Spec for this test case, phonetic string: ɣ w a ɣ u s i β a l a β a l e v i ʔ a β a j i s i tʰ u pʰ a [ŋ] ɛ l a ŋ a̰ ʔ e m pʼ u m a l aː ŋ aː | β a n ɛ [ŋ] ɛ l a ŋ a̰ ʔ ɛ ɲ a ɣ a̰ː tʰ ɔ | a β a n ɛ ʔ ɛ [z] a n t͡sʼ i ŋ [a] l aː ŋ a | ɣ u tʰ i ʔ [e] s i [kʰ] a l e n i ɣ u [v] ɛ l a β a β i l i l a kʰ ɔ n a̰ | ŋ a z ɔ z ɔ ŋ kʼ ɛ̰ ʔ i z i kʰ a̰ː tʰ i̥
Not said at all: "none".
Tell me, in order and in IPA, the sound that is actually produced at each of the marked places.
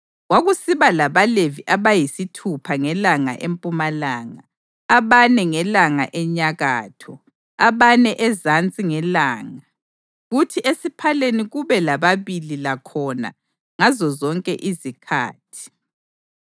ŋ, ŋ, z, ɛ, e, pʰ, β

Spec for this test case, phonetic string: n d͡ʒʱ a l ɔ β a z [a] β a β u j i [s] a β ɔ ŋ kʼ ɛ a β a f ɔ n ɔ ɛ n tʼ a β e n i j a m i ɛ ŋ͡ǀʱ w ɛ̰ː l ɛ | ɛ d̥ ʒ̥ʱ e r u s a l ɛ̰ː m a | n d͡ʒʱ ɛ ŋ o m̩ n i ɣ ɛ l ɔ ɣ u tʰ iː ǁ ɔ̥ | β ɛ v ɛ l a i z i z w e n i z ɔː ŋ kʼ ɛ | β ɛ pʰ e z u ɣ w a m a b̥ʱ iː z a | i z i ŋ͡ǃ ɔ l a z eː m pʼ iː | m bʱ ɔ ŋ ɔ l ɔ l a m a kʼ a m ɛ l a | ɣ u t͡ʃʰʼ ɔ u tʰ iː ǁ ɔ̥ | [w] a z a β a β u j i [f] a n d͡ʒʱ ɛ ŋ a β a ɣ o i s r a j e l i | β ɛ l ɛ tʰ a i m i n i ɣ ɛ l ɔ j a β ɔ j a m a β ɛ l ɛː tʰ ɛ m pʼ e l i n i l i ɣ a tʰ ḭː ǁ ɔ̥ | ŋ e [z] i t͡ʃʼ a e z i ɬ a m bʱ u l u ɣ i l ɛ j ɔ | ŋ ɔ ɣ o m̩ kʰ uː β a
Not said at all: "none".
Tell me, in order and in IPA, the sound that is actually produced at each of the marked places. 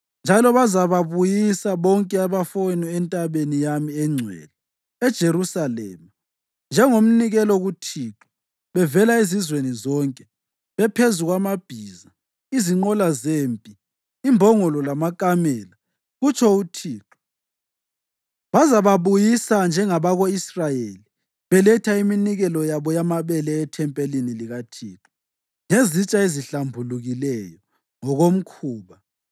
a, s, β, s, z

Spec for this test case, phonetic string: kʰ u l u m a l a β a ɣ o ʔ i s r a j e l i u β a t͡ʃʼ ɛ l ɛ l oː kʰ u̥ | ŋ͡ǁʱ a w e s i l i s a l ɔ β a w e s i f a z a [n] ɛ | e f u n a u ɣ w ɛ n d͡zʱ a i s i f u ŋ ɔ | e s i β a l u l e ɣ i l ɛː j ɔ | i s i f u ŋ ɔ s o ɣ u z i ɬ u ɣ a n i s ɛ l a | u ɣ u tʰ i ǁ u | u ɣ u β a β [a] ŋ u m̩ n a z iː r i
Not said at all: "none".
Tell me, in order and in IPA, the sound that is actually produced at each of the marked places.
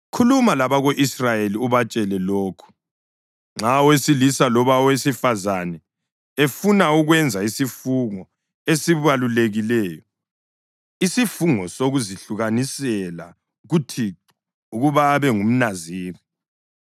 n, ɛ

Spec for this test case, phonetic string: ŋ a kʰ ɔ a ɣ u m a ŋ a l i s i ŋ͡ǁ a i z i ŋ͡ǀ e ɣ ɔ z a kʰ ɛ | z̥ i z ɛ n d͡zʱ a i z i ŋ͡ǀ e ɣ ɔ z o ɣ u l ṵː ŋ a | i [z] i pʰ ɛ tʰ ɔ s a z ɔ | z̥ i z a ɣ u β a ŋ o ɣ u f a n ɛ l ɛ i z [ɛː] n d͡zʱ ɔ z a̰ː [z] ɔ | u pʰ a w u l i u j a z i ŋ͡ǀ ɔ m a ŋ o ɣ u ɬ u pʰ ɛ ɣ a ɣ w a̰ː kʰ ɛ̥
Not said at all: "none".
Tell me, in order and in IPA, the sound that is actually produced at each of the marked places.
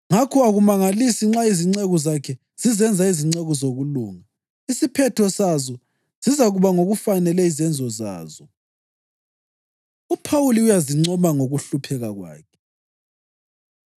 s, ɛ, z

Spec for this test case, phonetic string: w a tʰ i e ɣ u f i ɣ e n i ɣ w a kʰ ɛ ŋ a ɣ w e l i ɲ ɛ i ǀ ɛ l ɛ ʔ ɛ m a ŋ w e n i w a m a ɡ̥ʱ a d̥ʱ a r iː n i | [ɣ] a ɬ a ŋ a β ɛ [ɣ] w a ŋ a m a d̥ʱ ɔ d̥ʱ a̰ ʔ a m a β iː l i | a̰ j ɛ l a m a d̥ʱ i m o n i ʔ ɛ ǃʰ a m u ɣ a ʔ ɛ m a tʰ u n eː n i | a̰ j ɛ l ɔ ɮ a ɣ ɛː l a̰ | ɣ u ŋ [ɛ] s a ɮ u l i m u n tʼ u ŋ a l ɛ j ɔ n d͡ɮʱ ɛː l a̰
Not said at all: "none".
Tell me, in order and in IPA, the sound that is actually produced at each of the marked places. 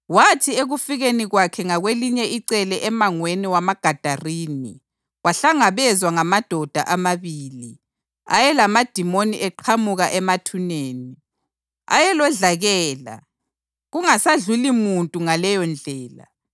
w, z, a

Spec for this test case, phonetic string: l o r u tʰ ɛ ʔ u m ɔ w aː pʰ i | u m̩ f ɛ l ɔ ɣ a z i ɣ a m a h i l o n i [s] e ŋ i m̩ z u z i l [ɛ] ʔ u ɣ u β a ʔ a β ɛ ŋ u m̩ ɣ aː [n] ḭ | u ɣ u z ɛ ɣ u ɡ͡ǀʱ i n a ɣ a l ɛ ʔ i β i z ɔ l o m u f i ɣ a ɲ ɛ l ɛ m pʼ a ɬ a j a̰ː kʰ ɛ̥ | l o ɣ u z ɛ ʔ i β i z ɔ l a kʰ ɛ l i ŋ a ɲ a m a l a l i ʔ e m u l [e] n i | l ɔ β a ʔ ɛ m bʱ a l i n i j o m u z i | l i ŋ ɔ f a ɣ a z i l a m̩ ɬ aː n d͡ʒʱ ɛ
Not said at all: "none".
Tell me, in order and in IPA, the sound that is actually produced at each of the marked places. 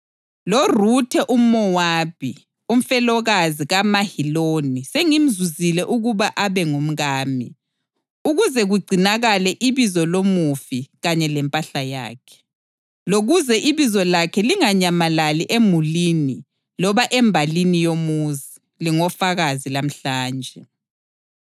s, ɛ, m, i

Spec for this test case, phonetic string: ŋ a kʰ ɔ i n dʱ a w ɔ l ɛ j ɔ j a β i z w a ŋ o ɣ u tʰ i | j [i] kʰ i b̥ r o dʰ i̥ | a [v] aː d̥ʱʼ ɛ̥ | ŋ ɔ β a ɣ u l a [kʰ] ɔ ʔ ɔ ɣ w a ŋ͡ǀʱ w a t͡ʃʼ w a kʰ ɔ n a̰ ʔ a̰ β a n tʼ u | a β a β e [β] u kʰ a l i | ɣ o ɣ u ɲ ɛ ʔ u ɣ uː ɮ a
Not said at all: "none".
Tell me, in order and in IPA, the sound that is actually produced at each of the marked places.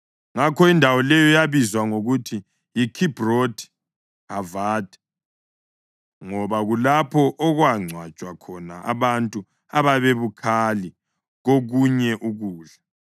i, v, pʰ, β

